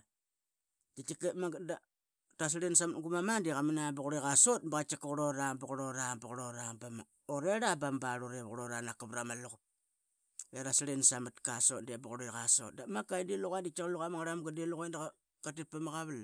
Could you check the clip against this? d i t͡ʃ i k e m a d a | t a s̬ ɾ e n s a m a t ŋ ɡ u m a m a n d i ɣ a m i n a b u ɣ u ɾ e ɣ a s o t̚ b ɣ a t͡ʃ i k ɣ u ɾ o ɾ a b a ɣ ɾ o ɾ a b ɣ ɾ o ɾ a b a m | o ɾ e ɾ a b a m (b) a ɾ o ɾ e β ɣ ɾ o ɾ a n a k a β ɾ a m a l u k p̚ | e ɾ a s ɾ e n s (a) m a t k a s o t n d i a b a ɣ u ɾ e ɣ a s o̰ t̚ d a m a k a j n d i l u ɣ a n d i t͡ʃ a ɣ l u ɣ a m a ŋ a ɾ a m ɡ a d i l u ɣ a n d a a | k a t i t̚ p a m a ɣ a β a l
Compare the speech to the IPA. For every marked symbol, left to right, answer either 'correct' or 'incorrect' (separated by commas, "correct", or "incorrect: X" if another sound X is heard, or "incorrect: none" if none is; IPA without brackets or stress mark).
correct, correct